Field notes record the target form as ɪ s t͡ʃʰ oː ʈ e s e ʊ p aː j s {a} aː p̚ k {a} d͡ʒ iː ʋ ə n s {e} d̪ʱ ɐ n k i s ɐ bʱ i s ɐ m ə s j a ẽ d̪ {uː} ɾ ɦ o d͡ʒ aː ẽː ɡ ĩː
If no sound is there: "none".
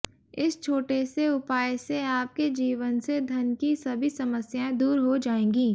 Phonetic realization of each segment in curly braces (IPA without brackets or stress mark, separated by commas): e, e, e, uː